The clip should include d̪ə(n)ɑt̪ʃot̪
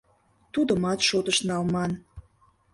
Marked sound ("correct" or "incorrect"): incorrect